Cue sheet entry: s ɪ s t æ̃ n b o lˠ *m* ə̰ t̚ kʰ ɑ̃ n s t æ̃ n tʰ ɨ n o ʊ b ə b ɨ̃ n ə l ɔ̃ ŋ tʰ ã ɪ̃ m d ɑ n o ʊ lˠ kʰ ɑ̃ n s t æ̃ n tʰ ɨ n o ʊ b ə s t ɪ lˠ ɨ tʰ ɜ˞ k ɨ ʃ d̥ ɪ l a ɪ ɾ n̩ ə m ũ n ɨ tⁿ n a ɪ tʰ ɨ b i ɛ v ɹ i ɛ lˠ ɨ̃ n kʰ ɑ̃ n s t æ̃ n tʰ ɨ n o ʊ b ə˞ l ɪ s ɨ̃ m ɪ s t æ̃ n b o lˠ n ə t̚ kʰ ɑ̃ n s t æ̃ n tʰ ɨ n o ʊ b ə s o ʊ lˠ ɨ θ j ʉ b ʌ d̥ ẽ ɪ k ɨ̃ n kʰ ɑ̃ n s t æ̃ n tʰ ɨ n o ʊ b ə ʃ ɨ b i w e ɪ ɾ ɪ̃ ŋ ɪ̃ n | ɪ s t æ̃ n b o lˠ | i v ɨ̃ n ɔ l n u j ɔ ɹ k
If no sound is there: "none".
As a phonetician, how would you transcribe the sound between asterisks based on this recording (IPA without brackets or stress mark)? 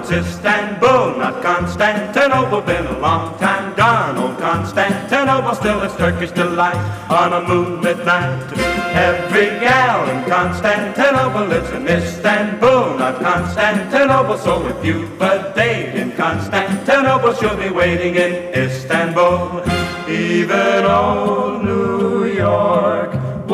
n